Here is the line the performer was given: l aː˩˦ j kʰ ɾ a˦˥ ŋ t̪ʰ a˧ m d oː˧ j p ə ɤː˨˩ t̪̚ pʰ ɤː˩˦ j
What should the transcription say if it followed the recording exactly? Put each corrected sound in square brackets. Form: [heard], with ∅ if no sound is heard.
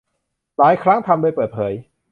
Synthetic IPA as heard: l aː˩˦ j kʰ ɾ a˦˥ ŋ t̪ʰ a˧ m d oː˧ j p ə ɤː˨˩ t̪̚ pʰ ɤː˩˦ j